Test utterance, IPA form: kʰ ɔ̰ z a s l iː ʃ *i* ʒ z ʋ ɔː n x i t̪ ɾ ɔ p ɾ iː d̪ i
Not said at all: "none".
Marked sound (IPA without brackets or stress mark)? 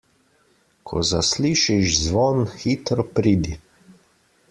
i